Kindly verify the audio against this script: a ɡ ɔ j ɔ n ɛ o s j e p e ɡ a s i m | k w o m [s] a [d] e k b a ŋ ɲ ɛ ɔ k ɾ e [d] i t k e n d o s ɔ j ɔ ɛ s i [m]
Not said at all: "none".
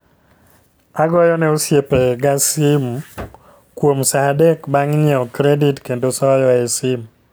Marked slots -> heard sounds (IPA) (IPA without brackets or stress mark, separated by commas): s, d, d, m